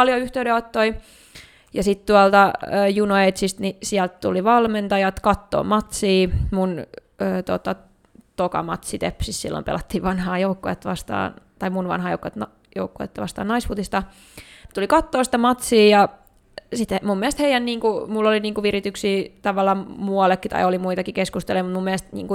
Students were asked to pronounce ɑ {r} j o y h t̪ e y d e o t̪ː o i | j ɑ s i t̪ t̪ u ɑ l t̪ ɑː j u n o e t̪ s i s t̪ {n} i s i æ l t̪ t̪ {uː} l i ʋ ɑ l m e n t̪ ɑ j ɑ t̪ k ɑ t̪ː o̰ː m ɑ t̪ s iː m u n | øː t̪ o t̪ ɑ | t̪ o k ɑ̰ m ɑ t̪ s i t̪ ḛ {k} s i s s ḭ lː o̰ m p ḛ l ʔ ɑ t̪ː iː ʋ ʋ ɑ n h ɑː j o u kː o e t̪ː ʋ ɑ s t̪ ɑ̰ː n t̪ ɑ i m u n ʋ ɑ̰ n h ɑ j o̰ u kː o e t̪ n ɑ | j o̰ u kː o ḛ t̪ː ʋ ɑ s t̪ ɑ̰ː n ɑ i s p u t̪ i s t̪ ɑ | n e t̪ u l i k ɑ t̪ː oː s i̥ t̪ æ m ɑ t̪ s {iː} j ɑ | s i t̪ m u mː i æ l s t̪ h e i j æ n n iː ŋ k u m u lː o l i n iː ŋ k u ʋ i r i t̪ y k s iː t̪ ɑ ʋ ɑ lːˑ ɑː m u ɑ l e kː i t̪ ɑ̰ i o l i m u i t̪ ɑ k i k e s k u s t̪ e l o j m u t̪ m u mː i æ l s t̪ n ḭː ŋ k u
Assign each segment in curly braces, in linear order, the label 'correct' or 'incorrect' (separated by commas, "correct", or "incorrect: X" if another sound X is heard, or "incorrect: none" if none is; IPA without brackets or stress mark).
incorrect: l, correct, incorrect: u, incorrect: p, correct